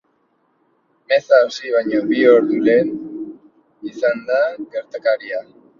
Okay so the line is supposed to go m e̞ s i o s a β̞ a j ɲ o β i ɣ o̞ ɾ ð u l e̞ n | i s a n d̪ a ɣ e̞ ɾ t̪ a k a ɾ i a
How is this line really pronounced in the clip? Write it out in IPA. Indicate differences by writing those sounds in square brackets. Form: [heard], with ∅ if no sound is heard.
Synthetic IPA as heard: m e̞ s [a] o s [i] β̞ a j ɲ o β i [∅] o̞ ɾ ð u l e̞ n | i s a n d̪ a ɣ e̞ ɾ t̪ a k a ɾ i a